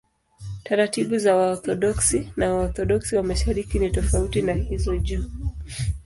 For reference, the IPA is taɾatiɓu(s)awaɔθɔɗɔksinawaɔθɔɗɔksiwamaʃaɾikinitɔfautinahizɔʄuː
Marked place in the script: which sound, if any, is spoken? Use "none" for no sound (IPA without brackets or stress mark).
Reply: z